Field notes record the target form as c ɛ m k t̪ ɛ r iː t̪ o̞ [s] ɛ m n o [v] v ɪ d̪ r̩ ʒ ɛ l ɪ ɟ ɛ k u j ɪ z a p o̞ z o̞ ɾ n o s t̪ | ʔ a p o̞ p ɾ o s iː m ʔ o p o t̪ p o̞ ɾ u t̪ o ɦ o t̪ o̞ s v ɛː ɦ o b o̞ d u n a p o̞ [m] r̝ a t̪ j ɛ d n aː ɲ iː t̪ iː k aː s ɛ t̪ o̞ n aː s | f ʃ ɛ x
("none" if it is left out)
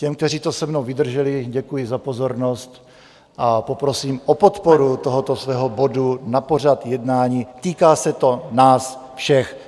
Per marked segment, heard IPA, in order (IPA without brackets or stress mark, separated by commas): s, w, none